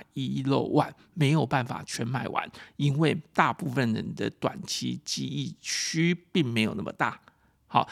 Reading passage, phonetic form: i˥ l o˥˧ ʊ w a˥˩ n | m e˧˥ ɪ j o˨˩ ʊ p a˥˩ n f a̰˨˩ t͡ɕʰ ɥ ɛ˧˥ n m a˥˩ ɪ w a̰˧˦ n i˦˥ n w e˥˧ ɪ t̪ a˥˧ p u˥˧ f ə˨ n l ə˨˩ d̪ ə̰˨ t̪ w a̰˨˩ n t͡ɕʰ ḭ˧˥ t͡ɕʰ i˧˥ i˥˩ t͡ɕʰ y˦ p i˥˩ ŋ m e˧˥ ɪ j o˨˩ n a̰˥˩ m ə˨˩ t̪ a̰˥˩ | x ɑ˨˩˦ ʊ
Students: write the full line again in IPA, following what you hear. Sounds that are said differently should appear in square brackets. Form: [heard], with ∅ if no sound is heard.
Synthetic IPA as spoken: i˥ l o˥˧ ʊ w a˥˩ n | m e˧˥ ɪ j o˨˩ ʊ p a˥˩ n f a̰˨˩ t͡ɕʰ ɥ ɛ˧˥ n m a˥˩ ɪ w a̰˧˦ n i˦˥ n w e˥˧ ɪ t̪ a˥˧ p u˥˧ f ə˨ n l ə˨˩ d̪ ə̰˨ t̪ w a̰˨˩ n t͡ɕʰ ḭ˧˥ [t͡ɕ] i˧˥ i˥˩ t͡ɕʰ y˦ p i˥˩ ŋ m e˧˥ ɪ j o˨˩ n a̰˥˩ m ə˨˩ t̪ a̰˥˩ | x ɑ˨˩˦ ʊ